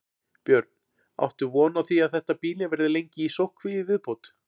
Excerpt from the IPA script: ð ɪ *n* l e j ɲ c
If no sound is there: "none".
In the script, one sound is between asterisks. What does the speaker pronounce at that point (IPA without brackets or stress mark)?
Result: none